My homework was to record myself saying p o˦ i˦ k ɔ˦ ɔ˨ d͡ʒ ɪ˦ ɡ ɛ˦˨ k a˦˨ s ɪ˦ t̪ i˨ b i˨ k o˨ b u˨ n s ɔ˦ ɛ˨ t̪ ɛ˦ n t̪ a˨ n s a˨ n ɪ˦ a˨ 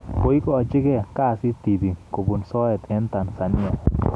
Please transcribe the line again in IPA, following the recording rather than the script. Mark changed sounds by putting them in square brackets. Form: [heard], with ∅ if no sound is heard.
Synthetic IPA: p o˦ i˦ k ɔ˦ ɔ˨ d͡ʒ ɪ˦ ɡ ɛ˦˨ k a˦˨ s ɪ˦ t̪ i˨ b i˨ k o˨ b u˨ n s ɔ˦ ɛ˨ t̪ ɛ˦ n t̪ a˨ n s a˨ n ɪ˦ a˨

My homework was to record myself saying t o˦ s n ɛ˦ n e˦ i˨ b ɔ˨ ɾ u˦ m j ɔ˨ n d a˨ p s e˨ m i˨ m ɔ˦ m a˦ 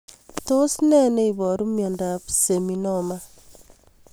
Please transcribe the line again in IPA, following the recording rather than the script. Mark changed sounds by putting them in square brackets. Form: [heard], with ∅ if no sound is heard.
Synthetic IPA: t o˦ s n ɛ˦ n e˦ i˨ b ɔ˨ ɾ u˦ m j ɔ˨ n d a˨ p s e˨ m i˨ [n] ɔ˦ m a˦

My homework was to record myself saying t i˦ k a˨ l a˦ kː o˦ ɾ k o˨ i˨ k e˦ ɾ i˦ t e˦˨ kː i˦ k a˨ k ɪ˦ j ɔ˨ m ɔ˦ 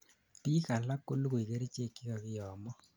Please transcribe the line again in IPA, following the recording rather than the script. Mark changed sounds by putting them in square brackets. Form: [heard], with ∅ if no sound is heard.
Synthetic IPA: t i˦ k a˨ l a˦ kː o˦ [l] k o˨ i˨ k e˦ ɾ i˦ [t͡ʃ] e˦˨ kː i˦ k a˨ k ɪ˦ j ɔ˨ m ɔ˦

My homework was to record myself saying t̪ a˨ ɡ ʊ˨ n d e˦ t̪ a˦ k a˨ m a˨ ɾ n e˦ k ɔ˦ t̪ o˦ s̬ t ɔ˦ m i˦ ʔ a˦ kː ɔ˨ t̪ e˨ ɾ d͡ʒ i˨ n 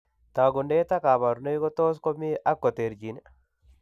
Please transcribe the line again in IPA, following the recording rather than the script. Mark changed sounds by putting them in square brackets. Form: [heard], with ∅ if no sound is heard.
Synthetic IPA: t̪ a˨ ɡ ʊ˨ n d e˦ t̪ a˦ k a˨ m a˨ ɾ n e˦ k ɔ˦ t̪ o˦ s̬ [k] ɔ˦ m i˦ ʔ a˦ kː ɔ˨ t̪ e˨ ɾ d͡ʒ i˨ n

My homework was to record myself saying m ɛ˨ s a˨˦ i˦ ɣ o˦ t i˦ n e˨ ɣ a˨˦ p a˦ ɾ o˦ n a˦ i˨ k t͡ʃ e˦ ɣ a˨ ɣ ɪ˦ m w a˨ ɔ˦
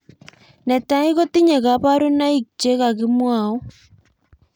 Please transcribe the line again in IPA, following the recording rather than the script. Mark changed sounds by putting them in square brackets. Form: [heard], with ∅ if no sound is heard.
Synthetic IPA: [n] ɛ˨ [t] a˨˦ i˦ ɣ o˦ t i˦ [ɲ] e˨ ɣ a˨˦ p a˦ ɾ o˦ n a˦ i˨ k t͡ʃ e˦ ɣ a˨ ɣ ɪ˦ m w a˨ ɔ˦

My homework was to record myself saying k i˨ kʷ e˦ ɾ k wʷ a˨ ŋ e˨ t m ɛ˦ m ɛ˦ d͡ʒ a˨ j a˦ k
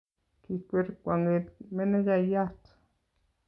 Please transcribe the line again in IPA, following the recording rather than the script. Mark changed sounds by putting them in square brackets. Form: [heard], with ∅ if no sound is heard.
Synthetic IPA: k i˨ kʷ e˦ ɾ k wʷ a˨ ŋ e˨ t m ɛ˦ [n] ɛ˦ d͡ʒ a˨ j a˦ [t]

